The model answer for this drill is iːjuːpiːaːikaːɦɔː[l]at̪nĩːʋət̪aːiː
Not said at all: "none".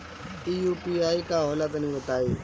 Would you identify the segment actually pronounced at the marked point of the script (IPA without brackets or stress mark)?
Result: l